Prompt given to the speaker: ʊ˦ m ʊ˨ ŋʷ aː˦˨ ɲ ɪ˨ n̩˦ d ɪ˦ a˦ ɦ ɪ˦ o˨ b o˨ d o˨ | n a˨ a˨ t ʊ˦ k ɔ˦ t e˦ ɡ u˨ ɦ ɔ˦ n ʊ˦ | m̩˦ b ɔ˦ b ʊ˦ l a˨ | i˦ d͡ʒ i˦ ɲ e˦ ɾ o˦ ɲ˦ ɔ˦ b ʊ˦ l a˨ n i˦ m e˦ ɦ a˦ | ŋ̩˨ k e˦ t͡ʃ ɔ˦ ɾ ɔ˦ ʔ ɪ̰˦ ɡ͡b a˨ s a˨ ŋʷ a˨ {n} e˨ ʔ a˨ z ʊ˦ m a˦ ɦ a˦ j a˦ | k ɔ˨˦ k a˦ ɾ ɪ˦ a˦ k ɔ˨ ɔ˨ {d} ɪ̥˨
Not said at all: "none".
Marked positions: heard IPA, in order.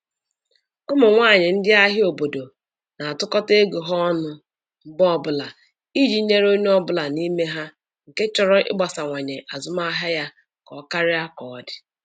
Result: ɲ, d

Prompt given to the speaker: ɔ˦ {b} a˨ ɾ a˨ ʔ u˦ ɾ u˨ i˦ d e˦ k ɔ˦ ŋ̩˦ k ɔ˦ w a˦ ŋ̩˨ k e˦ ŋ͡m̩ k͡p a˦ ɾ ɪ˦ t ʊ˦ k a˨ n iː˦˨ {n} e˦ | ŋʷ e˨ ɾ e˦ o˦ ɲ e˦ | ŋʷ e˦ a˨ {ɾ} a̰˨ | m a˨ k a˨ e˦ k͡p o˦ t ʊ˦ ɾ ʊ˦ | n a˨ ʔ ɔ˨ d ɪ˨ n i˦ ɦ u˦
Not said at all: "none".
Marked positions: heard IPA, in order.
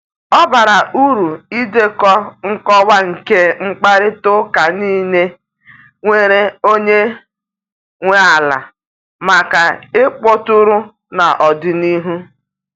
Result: b, n, l

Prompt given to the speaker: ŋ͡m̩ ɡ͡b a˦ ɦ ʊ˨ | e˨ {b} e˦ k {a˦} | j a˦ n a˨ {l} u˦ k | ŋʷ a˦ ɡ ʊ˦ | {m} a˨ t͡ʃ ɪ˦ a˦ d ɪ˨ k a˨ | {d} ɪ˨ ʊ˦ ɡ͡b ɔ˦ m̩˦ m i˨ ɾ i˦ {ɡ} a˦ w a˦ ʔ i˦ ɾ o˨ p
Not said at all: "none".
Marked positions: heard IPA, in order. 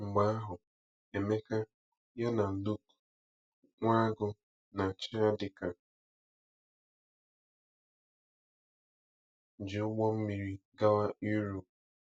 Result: m, a˦, l, n, d͡ʒ, ɡ

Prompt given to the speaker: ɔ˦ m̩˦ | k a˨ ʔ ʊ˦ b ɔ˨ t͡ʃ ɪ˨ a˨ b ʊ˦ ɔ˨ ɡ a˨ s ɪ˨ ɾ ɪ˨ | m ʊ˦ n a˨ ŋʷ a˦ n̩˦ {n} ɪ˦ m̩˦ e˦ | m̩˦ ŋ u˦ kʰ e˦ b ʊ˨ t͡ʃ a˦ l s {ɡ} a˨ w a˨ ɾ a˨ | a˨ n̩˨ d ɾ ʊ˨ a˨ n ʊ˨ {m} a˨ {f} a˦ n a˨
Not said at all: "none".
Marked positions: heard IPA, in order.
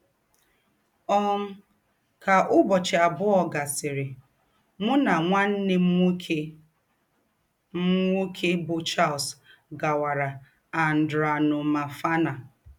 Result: n, ɡ, m, f

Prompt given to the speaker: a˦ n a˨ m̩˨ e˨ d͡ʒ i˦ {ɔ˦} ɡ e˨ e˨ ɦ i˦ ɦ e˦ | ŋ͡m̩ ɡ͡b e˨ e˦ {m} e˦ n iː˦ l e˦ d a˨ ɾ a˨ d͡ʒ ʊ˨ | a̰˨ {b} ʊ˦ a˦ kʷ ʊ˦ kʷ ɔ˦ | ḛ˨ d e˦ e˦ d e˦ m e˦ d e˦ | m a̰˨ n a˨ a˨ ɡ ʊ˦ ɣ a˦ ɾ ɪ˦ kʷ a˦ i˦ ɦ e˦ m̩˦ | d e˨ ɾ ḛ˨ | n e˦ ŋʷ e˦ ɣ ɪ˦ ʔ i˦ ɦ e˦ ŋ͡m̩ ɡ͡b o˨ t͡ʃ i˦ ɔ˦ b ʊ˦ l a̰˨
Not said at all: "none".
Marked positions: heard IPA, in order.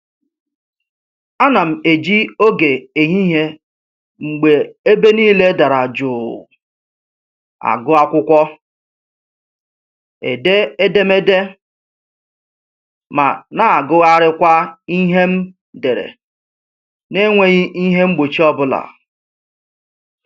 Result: o˦, b, ɡ

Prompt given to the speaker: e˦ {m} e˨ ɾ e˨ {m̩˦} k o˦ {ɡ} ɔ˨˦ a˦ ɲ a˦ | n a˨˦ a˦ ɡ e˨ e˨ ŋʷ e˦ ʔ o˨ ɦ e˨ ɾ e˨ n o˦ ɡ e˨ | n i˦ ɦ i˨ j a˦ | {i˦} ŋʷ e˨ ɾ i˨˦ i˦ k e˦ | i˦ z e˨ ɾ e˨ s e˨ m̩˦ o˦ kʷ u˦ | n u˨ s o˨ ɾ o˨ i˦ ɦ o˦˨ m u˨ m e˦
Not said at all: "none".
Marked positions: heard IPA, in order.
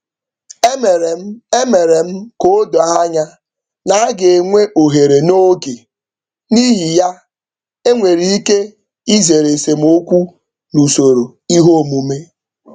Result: m, m̩˦, d, e˦

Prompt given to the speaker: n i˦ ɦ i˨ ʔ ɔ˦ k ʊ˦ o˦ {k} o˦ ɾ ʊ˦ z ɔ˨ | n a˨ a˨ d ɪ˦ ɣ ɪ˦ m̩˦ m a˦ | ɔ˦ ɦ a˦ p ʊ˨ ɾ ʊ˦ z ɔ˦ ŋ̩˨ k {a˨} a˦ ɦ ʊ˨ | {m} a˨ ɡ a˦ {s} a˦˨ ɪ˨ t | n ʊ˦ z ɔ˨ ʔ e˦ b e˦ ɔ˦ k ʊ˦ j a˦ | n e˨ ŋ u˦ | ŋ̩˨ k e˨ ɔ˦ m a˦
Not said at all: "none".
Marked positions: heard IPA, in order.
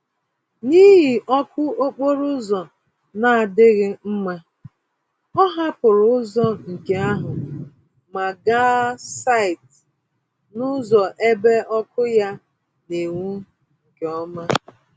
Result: k͡p, e˨, m, s

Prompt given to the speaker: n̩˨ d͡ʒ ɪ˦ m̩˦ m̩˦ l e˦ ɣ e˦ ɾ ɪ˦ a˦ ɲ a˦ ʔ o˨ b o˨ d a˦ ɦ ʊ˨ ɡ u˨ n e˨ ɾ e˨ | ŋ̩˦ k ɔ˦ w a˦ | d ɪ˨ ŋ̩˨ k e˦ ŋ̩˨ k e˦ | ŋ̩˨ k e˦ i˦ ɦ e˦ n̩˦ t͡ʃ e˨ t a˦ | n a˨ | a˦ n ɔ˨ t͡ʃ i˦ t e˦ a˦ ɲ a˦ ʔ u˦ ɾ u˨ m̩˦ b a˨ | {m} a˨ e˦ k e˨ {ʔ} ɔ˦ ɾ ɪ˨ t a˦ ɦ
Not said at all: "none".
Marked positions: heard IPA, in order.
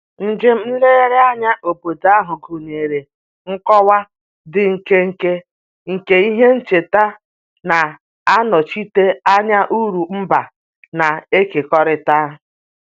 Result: n, k

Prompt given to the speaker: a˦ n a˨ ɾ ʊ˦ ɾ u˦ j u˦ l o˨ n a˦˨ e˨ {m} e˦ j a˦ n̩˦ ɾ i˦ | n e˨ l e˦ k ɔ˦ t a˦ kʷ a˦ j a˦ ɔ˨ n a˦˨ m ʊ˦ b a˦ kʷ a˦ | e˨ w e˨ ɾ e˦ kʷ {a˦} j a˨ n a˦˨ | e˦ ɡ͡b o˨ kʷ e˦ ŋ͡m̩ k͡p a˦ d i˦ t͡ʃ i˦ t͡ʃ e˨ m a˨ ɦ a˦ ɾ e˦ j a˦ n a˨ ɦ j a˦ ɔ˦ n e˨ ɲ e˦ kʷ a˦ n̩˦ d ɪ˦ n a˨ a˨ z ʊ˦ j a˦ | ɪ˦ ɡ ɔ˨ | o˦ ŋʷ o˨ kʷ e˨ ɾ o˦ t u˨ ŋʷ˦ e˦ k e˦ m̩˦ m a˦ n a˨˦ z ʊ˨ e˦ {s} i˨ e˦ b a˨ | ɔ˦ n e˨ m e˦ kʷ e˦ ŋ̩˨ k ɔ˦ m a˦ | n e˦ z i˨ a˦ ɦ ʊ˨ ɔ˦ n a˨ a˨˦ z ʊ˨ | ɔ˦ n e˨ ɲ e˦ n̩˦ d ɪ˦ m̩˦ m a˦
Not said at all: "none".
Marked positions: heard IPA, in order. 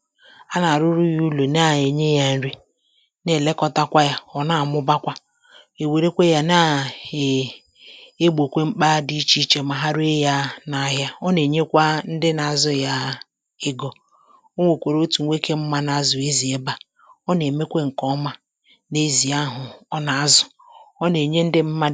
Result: ɲ, e˦, z

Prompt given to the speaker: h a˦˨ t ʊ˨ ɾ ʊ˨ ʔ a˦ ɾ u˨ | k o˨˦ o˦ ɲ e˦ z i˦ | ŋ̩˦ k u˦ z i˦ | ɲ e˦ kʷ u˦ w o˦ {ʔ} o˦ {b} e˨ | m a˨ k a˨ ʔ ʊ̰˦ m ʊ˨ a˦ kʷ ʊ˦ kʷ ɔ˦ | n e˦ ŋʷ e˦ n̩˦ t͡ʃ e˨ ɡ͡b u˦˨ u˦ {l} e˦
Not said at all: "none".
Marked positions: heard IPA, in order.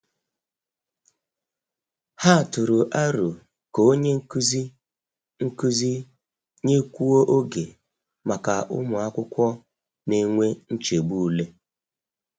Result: ʔ, ɡ, l

